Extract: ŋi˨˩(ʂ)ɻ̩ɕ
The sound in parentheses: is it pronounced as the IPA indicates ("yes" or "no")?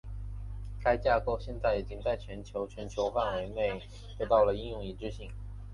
no